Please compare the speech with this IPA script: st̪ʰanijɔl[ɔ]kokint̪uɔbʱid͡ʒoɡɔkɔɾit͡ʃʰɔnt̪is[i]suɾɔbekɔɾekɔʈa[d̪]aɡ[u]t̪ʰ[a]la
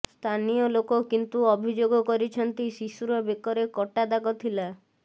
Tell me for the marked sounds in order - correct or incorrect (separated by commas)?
incorrect, correct, correct, incorrect, incorrect